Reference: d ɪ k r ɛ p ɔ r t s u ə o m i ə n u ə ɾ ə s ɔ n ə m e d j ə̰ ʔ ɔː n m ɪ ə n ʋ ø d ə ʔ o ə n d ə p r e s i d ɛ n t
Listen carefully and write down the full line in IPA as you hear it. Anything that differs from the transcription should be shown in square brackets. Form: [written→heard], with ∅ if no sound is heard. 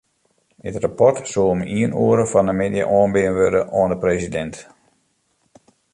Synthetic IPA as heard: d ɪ [k→t] r [ɛ→a] p ɔ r t s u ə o m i ə n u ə ɾ ə [s→f] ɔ n ə m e d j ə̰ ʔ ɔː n [m→b] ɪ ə n ʋ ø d ə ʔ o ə n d ə p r e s i d ɛ n t